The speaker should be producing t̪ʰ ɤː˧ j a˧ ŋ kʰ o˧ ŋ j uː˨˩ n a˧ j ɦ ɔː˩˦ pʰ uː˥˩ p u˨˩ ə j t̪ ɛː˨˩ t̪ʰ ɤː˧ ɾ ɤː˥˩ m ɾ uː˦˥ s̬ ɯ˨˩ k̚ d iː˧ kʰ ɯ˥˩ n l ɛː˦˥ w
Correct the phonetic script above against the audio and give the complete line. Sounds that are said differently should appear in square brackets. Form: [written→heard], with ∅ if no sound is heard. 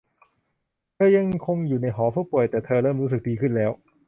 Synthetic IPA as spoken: t̪ʰ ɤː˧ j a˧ ŋ kʰ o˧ ŋ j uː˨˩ n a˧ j ɦ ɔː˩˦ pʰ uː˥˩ p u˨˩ ə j t̪ ɛː˨˩ t̪ʰ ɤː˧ ɾ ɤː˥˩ m ɾ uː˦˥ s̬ ɯ˨˩ k̚ d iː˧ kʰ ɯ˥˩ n l ɛː˦˥ w